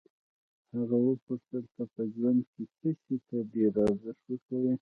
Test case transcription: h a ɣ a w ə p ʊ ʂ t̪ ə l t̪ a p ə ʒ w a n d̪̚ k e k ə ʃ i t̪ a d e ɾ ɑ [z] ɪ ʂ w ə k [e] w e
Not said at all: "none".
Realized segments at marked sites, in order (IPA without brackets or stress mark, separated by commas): z, a